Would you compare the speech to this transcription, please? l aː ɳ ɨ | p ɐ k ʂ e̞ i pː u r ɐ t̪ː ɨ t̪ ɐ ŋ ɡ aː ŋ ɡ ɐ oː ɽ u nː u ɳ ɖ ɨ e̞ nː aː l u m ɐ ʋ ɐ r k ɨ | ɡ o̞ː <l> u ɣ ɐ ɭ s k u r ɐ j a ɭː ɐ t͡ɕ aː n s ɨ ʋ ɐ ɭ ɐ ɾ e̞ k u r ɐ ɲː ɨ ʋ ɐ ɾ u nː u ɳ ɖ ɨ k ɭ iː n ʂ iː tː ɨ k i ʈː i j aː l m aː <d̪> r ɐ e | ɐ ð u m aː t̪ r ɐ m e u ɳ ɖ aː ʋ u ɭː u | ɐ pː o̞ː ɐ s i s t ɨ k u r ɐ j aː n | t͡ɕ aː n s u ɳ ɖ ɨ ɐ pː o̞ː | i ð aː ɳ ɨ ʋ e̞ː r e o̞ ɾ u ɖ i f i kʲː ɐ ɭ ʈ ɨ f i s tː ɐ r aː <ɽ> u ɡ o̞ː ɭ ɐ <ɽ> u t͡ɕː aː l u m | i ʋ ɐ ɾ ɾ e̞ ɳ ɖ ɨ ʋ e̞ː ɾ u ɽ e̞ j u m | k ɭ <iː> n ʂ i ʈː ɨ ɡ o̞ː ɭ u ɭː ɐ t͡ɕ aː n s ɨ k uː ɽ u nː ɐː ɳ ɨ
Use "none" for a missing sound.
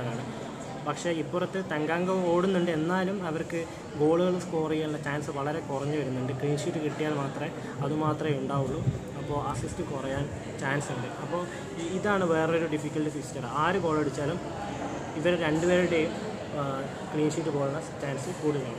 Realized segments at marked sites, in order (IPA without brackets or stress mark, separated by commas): ɭ, t̪, ɾ, ɽ, iː